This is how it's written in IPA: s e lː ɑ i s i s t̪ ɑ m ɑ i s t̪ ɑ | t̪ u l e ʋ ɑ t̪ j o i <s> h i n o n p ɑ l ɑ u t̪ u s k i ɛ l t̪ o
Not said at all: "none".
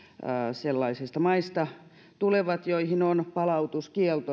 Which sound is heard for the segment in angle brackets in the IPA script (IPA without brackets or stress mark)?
none